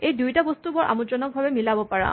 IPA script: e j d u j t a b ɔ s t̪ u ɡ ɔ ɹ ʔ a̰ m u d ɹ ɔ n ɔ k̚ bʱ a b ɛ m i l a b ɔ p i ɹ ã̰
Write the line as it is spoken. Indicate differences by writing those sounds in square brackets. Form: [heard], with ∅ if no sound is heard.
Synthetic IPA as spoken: e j d u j t a b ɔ s t̪ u [b] ɔ ɹ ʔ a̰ m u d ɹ ɔ n ɔ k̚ bʱ a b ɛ m i l a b ɔ p [a] ɹ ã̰

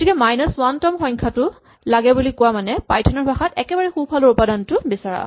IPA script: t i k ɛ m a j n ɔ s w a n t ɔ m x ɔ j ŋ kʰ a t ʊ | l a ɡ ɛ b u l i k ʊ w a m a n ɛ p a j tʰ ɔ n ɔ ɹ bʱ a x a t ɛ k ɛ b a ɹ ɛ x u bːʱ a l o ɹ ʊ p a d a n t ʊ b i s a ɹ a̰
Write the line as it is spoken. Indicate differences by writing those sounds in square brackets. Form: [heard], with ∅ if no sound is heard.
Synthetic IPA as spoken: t i k ɛ m a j n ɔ s w a n t ɔ m x ɔ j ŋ kʰ a t ʊ | l a ɡ ɛ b u l i k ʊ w a m a n ɛ p a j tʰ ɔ n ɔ ɹ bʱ a x a t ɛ k ɛ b a ɹ ɛ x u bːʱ a l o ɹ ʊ p a d a n t ʊ b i s a ɹ a̰

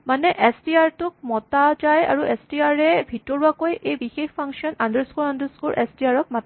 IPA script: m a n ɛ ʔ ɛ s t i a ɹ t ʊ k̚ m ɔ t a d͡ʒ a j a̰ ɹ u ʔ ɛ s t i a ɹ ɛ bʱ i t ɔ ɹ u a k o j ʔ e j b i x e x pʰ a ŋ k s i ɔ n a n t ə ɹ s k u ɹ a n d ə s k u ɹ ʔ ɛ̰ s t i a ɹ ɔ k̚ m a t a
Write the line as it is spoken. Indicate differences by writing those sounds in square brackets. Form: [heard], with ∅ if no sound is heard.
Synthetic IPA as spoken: m a n ɛ ʔ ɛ s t i a ɹ t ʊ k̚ m ɔ t a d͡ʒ a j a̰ ɹ u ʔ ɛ s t i a ɹ ɛ bʱ i t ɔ ɹ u a k o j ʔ e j b i x e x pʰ a ŋ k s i ɔ n a n [d] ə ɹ s k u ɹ a n d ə s k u ɹ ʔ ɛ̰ s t i a ɹ ɔ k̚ m a t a

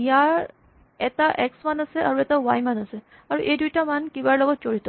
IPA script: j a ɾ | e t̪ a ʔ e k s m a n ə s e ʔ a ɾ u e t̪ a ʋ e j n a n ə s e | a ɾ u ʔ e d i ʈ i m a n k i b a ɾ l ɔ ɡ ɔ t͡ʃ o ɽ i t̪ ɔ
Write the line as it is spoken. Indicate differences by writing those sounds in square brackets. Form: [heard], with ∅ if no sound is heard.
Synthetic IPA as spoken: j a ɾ | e t̪ a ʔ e k s m a n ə s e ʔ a ɾ u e t̪ a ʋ [a] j [m] a n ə s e | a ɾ u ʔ e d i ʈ [a] m a n k i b a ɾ l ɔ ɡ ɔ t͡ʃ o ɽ i t̪ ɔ

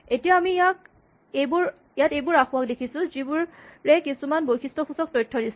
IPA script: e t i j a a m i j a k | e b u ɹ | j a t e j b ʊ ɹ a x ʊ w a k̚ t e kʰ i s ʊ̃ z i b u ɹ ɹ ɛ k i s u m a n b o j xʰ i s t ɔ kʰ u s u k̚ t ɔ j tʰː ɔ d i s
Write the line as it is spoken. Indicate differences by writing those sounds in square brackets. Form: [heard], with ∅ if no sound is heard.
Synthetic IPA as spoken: e t i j a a m i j a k | e b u ɹ | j a t e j b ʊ ɹ a x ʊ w a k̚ [d] e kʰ i s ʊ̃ z i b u ɹ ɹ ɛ k i s u m a n b o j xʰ i s t ɔ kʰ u s [ɔ] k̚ t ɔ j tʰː ɔ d i s

